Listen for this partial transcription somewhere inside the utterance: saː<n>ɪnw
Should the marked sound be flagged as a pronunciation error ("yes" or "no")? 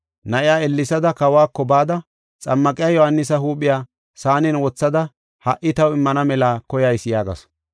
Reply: no